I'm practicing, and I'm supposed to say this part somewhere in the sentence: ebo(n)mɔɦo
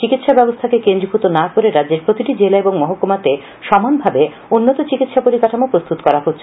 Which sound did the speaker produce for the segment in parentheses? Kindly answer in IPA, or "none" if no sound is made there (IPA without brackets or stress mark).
ŋ